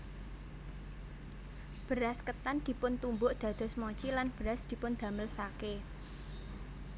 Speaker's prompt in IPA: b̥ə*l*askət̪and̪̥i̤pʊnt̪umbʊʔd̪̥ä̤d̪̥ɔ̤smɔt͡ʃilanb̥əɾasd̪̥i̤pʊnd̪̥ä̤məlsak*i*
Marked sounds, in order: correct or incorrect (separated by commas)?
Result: incorrect, incorrect